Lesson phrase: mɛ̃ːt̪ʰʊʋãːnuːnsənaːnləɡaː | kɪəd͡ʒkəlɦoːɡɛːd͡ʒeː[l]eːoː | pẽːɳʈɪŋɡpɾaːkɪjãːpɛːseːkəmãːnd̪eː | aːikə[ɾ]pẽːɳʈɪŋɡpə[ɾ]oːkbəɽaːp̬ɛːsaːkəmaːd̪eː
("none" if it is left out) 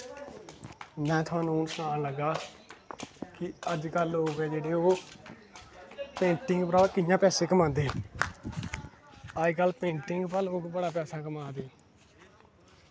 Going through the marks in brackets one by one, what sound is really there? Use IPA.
ɽ, l, l

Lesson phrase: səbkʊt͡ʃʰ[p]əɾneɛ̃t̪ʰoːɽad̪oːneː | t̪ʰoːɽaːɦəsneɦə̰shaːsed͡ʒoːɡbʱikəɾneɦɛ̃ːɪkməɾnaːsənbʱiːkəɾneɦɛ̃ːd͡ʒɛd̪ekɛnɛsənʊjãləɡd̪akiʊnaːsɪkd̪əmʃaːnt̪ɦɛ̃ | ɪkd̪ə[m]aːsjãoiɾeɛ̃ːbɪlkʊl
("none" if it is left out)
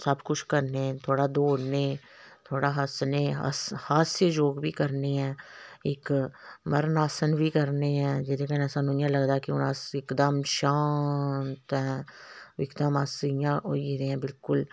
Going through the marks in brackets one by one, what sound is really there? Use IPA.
k, m

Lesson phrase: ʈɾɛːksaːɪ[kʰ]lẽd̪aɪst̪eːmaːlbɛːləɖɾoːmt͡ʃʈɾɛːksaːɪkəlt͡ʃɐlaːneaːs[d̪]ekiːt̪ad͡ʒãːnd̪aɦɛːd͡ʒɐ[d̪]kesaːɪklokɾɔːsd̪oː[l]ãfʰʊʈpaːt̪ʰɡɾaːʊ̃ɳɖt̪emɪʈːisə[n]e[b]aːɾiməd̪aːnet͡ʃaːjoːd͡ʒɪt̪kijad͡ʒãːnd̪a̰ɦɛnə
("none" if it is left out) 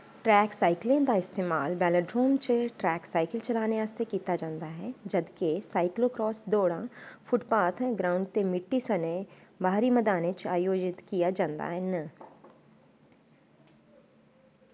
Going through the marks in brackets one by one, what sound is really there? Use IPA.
k, t̪, d̪, ɽ, n, b

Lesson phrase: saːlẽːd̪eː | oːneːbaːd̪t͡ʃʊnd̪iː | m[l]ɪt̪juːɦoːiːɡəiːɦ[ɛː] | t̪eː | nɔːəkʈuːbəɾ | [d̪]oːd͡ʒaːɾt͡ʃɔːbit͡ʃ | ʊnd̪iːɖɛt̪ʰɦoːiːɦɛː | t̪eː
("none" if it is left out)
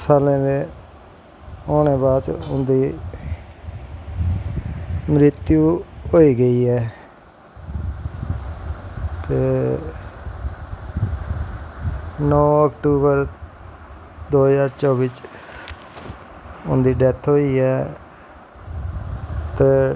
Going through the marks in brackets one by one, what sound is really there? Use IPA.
ɾ, ɛː, d̪

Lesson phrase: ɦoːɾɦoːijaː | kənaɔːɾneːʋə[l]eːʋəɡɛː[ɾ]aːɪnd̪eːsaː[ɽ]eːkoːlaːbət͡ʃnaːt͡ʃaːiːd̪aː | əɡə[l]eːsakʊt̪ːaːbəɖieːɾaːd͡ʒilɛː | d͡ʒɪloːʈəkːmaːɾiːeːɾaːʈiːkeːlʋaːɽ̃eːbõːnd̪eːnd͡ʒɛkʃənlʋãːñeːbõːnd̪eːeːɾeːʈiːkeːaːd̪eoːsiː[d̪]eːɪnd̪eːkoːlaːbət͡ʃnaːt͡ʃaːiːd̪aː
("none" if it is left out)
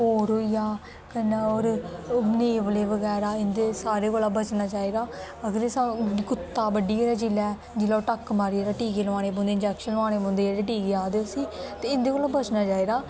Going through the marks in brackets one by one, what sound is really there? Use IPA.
l, ɾ, ɾ, ɾ, t̪

